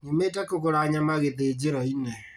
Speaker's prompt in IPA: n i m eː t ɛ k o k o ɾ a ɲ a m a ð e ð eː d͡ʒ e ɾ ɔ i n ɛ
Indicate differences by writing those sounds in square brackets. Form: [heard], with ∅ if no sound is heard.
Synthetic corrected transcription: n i m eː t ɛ k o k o ɾ a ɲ a m a [ɣ] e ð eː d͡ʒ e ɾ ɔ i n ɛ